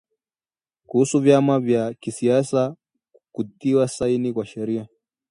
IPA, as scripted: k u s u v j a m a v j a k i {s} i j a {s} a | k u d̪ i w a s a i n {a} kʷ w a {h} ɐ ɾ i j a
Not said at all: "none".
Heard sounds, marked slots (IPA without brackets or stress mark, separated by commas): s, s, i, ʃ